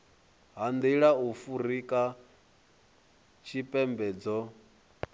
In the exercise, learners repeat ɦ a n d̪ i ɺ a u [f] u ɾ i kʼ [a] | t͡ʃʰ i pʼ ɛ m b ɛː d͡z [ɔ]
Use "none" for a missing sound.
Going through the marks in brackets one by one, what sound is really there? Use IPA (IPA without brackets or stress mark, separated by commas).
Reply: f, a, ɔ